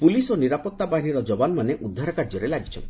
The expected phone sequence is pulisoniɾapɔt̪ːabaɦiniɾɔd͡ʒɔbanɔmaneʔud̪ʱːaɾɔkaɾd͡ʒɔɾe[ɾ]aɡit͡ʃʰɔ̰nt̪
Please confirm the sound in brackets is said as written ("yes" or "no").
no